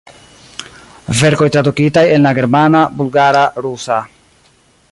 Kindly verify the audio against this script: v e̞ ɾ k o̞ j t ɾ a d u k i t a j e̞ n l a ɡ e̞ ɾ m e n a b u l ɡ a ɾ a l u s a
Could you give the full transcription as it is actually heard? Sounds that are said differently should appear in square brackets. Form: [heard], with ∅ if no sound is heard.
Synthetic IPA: v e̞ ɾ k o̞ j t ɾ a d u k i t a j e̞ n l a ɡ e̞ ɾ m [a] n a b u l ɡ a ɾ a [ɾ] u s a